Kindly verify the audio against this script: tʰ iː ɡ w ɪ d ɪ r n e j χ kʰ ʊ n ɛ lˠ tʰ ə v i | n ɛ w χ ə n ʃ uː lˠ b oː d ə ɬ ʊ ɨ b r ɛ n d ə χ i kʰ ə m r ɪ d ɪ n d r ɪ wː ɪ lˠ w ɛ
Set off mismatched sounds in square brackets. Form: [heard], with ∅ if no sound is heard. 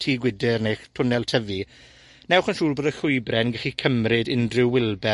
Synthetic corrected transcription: tʰ iː ɡ w ɪ d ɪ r n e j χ [tʰ] ʊ n ɛ lˠ tʰ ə v i | n ɛ w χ ə n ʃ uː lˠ b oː d ə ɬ ʊ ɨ b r ɛ n [ɡ] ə χ i kʰ ə m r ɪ d ɪ n d r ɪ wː ɪ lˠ [b] ɛ